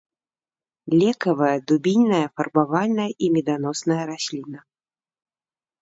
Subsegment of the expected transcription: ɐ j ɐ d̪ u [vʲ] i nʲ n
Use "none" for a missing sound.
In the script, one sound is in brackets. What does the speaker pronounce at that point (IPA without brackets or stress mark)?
bʲ